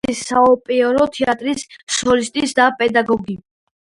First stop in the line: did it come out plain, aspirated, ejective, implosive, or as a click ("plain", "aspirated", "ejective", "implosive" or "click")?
ejective